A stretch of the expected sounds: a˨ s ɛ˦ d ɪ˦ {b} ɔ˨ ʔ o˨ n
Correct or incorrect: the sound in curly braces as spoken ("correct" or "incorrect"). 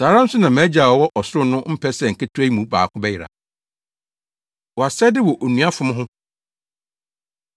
incorrect